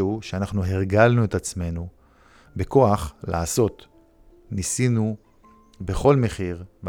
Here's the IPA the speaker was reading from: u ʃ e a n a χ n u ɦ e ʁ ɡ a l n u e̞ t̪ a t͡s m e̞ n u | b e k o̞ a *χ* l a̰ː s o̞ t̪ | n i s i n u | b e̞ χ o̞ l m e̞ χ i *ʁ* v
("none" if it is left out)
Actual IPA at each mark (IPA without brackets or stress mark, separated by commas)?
χ, ʁ